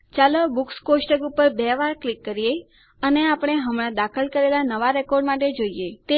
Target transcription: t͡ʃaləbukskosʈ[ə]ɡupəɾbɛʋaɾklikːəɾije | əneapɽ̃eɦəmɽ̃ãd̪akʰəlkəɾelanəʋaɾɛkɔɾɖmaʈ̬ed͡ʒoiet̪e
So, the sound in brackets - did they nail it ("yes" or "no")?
yes